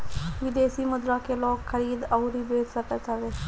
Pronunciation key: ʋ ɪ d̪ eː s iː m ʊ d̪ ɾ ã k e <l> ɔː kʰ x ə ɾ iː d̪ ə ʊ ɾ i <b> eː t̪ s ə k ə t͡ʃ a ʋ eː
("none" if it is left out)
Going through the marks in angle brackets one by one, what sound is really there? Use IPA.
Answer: l, b

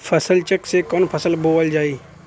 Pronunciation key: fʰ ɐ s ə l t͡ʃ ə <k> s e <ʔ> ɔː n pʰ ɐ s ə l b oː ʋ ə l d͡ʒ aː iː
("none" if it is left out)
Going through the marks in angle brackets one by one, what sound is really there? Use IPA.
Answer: k, k

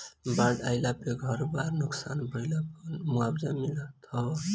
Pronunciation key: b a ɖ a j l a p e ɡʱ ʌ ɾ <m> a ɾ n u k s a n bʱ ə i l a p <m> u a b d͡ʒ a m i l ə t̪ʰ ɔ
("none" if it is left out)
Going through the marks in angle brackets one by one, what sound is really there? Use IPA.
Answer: b, m

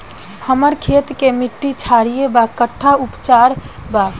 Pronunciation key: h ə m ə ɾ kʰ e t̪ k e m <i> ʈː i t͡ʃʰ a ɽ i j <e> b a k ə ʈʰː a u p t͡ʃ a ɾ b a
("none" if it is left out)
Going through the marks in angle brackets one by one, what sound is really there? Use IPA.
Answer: i, e

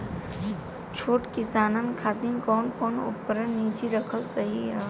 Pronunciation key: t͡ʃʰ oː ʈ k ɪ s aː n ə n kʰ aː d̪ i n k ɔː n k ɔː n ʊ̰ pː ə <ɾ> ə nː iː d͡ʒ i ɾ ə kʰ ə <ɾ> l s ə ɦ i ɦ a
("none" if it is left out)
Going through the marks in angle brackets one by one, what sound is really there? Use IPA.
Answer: ɾ, none

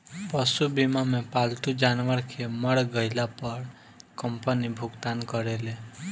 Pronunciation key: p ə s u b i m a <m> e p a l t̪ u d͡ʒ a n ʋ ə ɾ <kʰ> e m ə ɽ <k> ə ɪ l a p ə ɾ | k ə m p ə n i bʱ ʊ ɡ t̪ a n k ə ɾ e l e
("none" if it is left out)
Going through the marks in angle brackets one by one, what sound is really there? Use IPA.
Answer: m, kʰ, ɡ

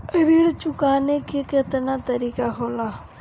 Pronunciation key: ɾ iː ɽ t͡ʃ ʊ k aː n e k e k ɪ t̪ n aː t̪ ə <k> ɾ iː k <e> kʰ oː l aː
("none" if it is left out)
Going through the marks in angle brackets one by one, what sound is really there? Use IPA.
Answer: none, a

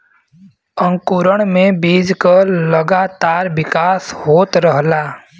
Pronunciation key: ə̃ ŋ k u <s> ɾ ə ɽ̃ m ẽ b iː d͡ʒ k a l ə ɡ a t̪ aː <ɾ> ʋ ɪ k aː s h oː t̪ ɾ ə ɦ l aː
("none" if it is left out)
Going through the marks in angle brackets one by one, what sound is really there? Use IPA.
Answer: none, ɾ

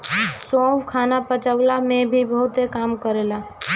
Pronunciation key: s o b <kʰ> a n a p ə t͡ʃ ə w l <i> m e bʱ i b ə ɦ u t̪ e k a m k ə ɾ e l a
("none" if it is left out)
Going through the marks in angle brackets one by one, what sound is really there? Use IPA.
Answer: kʰ, a

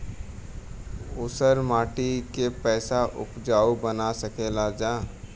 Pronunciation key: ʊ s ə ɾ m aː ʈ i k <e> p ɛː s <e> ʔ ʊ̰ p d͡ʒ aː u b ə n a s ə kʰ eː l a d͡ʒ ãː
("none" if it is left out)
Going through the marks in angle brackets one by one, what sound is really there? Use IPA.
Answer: e, a

